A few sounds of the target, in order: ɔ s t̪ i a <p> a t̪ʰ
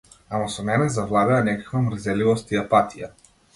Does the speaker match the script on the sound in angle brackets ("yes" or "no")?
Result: yes